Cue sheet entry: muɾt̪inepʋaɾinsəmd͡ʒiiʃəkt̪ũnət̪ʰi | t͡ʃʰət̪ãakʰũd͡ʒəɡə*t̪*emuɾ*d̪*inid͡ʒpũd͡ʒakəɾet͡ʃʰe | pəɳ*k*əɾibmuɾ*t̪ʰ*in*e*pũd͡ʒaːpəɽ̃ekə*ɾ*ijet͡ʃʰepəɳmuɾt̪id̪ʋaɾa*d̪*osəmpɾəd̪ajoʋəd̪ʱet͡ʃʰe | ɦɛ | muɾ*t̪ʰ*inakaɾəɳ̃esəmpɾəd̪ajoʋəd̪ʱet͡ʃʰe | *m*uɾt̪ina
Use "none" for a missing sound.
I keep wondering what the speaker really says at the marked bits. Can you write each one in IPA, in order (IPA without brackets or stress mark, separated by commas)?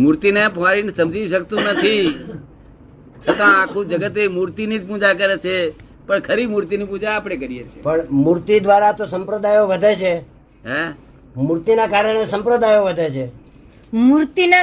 t̪, t̪, kʰ, t̪, i, ɾ, t̪, t̪, m